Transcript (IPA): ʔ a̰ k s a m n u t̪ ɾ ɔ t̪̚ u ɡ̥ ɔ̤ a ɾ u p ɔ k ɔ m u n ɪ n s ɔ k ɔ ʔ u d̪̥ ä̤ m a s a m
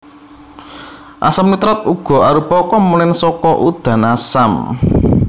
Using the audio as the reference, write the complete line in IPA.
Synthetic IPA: ʔ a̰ s a m n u t̪ ɾ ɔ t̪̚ u ɡ̥ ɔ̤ a ɾ u p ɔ k ɔ m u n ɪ n s ɔ k ɔ ʔ u d̪̥ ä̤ n a s a m